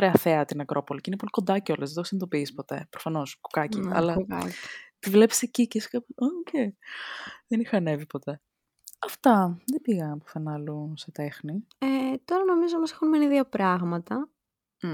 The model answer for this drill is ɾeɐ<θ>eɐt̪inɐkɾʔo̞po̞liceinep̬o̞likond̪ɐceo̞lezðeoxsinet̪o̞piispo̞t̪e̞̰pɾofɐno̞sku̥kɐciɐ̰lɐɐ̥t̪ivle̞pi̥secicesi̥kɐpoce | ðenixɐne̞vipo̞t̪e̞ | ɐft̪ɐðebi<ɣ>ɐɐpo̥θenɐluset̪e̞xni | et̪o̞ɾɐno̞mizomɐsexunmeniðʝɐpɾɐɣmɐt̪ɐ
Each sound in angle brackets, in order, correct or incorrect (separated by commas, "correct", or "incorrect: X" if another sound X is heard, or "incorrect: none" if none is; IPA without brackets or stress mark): correct, correct